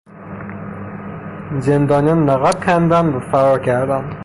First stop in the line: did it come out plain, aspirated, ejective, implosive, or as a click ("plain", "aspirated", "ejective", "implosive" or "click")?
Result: plain